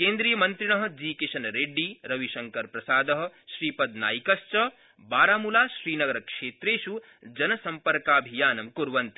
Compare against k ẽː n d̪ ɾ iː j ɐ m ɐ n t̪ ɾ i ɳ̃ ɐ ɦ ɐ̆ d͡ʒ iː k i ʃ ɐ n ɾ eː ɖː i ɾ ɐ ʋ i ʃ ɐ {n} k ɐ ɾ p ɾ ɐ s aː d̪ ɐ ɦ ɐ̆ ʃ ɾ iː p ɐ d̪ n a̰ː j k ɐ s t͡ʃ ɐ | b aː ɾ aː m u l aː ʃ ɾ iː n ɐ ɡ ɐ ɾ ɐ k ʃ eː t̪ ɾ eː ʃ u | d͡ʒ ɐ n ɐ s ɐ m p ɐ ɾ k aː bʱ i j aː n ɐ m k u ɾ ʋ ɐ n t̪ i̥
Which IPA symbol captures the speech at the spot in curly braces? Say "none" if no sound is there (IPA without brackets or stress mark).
ŋ